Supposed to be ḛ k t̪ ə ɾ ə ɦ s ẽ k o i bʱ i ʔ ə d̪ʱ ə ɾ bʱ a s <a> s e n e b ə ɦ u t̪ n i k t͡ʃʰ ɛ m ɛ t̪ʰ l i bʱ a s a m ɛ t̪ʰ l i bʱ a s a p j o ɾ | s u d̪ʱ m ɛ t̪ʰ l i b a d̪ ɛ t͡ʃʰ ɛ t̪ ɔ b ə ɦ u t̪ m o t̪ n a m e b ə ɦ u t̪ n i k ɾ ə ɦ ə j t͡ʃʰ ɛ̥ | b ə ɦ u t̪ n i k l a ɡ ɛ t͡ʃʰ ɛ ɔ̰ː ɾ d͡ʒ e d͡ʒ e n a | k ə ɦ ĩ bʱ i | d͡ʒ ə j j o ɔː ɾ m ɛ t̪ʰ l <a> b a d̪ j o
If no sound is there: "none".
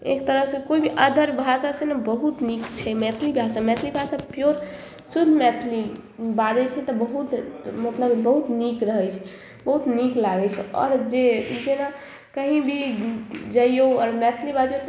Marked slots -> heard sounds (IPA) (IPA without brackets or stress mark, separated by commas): a, i